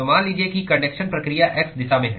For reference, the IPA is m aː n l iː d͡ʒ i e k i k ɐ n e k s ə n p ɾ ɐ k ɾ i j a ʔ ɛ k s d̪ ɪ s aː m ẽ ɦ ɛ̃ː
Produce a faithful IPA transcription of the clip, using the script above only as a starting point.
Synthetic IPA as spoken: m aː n l iː d͡ʒ i e k i k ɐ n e k ʃ ə n p ɾ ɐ k ɾ i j a ʔ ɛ k s d̪ ɪ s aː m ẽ ɦ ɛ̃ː